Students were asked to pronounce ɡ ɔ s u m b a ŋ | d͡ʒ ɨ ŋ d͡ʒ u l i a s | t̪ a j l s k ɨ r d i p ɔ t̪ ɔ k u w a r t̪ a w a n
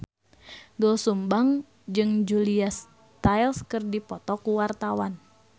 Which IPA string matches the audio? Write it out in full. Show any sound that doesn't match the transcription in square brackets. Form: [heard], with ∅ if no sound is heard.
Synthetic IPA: ɡ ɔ s u m b a ŋ | d͡ʒ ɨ ŋ d͡ʒ u l i a s | t̪ a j l s k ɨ r d i p ɔ t̪ ɔ k u w a r t̪ a w a n